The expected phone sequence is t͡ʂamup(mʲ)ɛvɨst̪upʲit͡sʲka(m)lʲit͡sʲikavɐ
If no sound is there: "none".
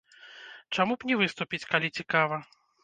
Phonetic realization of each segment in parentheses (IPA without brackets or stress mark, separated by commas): nʲ, none